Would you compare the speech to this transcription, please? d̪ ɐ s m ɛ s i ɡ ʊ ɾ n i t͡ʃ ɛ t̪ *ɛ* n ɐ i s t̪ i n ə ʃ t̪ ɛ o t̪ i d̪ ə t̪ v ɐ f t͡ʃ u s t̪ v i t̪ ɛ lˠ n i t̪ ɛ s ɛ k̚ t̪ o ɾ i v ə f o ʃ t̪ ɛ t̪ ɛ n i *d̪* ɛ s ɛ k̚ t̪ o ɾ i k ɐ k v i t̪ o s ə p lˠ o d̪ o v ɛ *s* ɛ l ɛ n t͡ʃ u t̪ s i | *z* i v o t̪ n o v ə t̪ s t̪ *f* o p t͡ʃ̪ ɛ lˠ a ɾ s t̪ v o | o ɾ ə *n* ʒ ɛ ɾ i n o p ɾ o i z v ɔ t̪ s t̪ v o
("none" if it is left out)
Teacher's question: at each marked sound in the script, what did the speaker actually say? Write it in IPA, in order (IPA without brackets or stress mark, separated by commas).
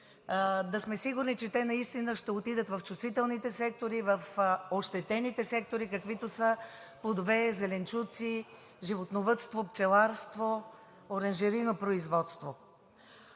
ɛ, t̪, z, ʒ, v, n